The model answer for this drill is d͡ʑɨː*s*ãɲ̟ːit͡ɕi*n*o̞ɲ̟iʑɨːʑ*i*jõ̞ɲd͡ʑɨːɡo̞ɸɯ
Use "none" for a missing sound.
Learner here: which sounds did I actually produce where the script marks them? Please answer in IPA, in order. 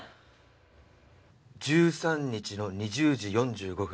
s, n, i

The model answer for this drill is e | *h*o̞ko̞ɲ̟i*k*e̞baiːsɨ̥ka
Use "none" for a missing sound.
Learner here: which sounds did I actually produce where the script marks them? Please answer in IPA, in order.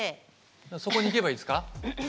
s, k

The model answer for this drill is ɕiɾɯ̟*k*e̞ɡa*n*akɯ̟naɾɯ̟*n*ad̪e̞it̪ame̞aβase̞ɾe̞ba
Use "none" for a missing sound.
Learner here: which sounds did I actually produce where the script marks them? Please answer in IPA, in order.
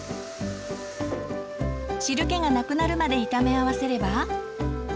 k, n, m

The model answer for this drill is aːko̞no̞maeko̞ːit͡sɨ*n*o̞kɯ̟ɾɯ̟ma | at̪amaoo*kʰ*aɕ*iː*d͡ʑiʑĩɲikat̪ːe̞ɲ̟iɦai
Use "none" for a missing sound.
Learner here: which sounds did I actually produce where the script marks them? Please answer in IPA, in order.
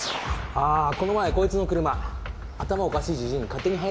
n, k, iː

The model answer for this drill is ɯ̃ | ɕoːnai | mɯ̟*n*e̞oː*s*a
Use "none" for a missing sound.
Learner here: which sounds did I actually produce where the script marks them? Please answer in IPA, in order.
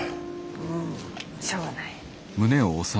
n, s

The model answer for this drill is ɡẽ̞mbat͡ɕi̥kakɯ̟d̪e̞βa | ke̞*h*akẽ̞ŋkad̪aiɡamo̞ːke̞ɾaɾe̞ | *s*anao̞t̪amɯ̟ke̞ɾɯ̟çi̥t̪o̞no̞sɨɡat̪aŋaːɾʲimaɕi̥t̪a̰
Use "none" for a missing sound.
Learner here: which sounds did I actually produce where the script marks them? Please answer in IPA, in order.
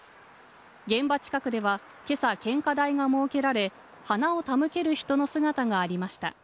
s, h

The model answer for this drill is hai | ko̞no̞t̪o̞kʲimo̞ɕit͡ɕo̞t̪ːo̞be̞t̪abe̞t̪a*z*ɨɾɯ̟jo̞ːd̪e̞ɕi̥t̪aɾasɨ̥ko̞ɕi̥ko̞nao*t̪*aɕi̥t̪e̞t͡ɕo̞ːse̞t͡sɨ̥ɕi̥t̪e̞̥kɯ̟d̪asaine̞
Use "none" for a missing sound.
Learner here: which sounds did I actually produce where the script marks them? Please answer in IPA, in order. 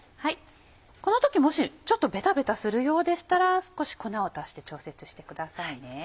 s, t̪

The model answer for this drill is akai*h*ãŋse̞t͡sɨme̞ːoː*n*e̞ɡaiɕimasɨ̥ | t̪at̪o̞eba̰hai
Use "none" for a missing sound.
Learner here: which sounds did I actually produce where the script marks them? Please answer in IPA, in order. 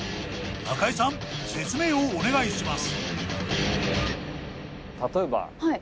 s, n

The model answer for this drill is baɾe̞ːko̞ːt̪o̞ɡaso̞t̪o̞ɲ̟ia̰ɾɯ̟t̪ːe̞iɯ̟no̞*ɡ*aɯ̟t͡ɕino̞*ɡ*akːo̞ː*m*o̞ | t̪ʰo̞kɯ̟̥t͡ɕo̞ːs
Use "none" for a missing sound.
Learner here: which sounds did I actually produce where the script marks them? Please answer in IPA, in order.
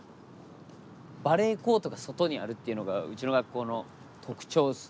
ɡ, ɡ, n

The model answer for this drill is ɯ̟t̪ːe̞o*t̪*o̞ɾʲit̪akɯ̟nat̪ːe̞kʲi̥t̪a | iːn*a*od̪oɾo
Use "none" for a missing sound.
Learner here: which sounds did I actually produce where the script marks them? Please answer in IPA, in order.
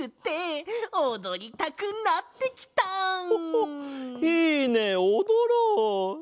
d̪, e

